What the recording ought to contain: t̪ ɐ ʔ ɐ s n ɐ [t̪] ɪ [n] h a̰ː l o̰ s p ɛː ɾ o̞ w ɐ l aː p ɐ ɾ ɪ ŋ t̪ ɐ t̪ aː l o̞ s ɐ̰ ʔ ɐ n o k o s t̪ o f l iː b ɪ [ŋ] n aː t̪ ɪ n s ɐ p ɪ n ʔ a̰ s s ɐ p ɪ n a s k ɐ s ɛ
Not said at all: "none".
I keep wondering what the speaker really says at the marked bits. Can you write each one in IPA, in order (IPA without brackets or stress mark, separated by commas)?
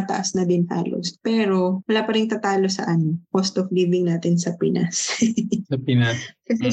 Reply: d̪, n, ŋ